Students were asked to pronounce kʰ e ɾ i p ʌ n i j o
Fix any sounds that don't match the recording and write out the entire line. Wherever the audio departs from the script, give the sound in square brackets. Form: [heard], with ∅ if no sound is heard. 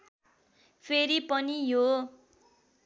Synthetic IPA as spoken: [pʰ] e ɾ i p ʌ n i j o